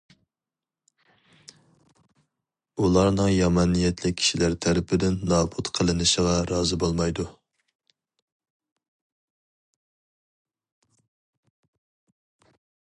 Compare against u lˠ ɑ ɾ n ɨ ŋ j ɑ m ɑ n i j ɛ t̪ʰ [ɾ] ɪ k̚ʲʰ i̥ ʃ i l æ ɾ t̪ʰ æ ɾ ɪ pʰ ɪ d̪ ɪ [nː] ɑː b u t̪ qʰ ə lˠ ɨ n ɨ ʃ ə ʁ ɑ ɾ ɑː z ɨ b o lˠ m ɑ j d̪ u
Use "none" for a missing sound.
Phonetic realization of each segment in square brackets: l, nː

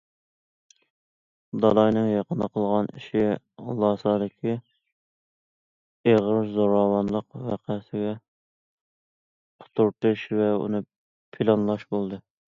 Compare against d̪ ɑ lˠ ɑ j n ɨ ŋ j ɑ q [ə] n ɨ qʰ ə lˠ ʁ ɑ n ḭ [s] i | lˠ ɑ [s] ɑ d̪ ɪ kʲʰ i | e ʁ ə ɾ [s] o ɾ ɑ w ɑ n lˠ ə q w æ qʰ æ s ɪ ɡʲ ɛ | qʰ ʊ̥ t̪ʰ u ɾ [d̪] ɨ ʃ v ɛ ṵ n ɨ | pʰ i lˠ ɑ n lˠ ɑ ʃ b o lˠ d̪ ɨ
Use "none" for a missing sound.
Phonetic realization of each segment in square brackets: ə, ʃ, s, z, t̪

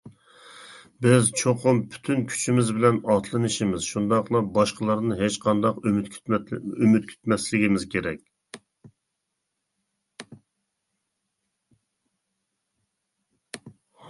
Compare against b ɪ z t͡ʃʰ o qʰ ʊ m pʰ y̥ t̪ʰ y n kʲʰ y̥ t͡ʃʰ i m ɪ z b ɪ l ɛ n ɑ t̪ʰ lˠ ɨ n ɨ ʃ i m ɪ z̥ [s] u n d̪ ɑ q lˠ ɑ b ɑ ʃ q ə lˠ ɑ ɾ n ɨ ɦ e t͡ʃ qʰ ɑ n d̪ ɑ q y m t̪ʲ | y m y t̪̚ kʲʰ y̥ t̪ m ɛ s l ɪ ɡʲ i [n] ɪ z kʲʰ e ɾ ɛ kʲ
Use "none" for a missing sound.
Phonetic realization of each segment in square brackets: ʃ, m

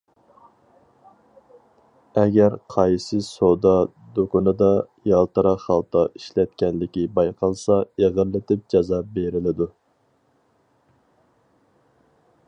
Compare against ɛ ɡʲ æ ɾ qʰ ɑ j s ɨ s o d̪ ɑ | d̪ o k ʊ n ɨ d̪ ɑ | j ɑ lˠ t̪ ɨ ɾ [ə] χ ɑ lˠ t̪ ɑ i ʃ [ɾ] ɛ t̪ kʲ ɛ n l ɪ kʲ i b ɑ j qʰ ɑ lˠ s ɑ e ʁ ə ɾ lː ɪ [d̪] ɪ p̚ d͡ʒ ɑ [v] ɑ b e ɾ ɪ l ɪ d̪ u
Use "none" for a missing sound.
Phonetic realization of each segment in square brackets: ɑ, l, t̪, z

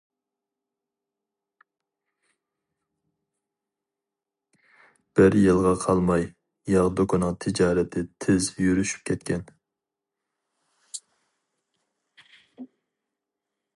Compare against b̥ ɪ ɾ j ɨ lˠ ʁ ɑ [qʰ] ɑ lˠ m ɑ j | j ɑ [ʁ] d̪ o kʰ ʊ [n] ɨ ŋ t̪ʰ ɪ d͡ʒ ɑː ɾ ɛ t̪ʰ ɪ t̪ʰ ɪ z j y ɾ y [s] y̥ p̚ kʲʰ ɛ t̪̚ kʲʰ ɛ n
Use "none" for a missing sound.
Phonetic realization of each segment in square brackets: qʰ, ʁ, n, ʃ

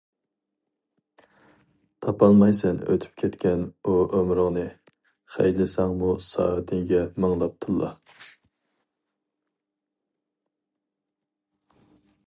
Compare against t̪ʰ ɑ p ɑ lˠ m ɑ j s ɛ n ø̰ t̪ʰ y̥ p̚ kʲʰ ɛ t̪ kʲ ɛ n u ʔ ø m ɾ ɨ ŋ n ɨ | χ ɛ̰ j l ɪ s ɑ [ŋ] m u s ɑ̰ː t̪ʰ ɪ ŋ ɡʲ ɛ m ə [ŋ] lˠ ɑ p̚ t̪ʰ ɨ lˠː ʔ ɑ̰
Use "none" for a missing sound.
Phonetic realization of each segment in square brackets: ŋ, ŋ

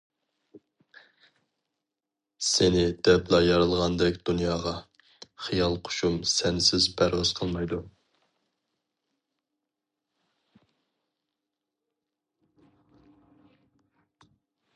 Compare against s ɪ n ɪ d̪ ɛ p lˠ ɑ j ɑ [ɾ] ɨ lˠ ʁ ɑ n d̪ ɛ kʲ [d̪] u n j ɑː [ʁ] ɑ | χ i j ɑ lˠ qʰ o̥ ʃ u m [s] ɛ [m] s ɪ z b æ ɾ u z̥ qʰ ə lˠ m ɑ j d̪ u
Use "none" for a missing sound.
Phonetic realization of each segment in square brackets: ɾ, d̪, ʁ, s, n

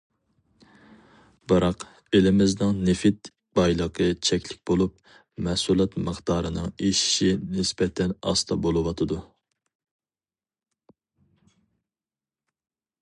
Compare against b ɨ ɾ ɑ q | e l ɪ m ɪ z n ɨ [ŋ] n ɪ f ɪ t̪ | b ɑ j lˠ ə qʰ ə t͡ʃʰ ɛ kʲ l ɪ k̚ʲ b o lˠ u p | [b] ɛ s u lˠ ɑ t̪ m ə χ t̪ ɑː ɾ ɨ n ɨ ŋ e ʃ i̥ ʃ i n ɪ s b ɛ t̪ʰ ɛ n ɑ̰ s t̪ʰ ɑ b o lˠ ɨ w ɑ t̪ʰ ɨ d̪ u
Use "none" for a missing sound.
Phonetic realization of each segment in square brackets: ŋ, m

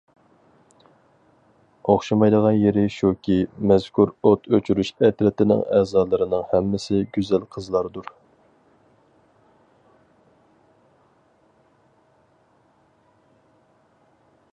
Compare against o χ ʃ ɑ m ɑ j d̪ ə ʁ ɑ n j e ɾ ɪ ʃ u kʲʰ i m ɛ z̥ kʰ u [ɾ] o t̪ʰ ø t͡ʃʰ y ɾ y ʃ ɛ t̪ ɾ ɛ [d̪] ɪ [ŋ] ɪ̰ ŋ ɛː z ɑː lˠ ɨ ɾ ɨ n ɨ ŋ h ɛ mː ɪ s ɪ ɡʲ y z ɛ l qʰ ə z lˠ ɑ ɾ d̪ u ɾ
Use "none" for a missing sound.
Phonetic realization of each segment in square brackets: ɾ, t̪, n

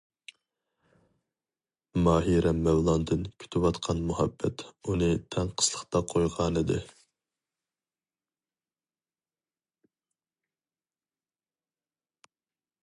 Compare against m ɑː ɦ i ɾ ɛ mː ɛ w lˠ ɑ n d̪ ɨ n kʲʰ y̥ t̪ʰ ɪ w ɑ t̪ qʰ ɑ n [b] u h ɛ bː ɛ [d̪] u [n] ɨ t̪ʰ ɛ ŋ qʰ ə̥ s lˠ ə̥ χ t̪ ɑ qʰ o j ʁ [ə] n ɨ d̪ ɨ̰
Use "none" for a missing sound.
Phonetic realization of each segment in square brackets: m, t̪, n, ɑ

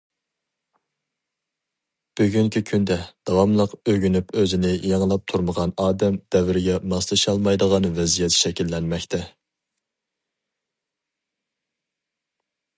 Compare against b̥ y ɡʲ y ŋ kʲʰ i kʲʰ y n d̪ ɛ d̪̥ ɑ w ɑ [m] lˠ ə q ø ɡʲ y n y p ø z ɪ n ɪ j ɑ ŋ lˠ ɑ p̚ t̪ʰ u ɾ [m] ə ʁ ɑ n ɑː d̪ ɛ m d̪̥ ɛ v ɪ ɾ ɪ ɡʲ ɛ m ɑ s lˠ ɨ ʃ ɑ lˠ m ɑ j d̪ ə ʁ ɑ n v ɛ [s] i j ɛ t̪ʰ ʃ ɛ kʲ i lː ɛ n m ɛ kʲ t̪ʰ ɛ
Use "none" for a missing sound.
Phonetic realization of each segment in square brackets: m, m, z

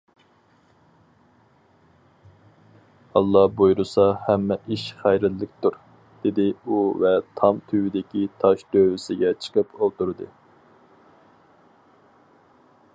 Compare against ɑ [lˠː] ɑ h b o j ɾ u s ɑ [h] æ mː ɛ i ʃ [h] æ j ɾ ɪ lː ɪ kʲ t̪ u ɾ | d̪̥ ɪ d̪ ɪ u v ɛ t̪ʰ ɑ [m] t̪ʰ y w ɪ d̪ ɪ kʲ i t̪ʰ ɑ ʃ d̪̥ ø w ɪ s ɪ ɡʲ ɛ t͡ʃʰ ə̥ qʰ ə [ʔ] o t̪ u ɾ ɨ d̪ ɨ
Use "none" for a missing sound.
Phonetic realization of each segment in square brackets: lˠː, h, χ, m, p

